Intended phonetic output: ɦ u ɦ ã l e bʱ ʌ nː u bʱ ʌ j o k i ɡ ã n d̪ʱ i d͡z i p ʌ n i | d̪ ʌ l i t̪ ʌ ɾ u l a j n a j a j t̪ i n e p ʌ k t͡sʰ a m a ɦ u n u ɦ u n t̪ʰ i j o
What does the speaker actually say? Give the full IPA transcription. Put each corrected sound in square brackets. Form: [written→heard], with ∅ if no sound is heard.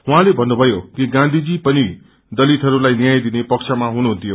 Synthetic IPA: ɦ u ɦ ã l e bʱ ʌ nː u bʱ ʌ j o k i ɡ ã n d̪ʱ i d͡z i p ʌ n i | d̪ ʌ l i t̪ ʌ ɾ u l a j n [a→i] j a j [t̪→d̪] i n e p ʌ k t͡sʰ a m a ɦ u n u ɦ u n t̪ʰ i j o